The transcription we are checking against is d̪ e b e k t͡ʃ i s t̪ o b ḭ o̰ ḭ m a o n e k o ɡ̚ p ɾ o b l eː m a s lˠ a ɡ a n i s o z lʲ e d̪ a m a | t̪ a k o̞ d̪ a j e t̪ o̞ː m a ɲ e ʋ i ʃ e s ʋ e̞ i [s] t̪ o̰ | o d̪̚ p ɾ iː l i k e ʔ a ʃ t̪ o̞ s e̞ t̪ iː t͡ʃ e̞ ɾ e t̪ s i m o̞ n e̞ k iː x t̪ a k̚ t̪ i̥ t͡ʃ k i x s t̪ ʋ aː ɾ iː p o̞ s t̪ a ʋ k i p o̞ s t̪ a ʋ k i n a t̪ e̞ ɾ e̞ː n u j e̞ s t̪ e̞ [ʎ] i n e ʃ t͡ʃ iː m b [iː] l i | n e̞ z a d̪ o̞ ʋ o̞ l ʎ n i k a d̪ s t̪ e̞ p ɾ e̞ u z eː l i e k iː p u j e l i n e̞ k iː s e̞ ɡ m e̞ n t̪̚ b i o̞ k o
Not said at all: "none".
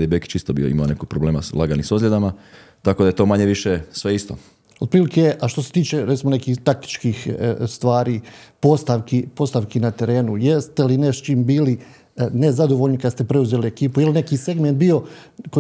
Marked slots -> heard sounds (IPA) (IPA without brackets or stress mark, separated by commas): s, l, iː